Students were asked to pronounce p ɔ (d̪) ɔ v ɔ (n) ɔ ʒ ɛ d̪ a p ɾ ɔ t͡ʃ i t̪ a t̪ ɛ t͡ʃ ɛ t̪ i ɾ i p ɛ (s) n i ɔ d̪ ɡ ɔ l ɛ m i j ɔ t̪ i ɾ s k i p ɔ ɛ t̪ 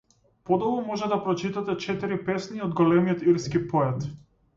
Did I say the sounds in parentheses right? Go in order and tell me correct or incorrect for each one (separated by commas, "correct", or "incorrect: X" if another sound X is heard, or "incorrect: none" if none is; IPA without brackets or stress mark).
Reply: correct, incorrect: m, correct